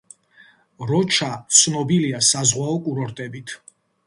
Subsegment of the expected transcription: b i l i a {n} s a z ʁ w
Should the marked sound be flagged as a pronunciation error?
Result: yes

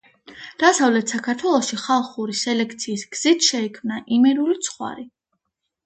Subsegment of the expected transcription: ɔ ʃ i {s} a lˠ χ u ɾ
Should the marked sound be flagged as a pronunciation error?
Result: yes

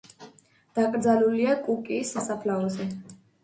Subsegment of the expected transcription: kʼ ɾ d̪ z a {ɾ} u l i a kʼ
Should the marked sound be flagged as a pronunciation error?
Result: yes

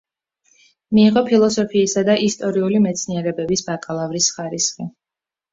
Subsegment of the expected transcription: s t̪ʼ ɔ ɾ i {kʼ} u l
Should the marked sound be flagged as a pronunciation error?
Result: yes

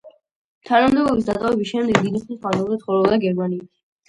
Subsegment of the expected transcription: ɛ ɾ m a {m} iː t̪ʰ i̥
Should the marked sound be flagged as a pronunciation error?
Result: yes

